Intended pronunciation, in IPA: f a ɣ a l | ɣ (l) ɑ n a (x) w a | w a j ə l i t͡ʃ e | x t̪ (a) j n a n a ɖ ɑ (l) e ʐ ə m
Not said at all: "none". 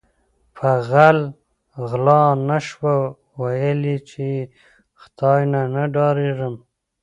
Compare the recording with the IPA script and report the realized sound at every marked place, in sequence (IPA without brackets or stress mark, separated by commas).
l, ʃ, ɑ, ɾ